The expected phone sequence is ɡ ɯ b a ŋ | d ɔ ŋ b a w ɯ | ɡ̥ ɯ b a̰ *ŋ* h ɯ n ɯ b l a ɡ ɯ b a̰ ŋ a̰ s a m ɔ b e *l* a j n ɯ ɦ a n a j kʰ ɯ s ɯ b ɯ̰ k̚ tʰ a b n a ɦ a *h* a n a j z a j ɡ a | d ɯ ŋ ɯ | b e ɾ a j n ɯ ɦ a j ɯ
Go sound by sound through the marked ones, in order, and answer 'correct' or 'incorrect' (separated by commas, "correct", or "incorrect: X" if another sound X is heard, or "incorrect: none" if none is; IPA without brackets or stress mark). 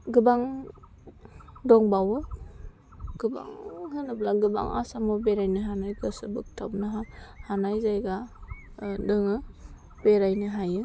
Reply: correct, incorrect: ɾ, correct